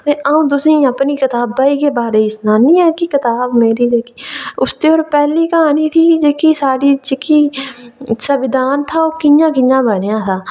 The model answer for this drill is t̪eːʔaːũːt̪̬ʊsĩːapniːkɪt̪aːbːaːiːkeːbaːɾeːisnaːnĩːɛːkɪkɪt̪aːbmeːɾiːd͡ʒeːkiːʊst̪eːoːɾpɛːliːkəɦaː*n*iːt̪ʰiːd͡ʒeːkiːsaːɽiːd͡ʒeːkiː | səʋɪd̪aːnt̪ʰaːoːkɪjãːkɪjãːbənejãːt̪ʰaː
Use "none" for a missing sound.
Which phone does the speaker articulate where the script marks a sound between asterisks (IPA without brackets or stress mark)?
n